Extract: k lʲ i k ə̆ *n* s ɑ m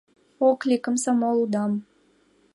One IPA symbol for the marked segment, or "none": m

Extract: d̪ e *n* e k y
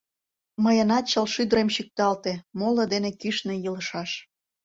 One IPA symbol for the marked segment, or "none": n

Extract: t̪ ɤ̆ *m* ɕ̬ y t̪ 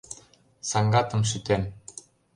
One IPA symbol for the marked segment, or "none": m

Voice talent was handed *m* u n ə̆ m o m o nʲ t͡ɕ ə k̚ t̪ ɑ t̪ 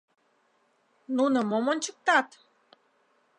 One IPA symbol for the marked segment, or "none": n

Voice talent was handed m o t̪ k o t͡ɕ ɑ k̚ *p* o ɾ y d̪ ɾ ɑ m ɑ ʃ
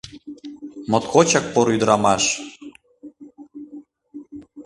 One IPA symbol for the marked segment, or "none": p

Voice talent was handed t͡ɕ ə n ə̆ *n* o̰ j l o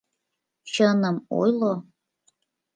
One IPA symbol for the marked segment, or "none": m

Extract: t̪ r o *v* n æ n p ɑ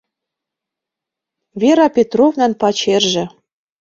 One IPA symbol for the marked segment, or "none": v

